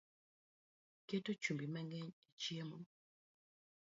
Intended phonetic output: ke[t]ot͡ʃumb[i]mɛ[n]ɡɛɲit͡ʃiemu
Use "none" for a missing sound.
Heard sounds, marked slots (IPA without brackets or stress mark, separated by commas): t, i, ŋ